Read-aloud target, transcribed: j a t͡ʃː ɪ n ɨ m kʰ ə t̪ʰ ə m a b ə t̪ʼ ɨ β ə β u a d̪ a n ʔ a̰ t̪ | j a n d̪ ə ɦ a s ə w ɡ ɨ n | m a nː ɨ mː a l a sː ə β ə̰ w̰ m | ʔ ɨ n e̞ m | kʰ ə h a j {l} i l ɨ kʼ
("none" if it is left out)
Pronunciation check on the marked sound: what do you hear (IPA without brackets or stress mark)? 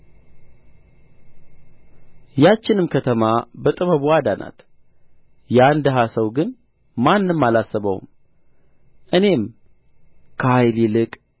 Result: l